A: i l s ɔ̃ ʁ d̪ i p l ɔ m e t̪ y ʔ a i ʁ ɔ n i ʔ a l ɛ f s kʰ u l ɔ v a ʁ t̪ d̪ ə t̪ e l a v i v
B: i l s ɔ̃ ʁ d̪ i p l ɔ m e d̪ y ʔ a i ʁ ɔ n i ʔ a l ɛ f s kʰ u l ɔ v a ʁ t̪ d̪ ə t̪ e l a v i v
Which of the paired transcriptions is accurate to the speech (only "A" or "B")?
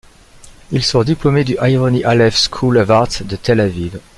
B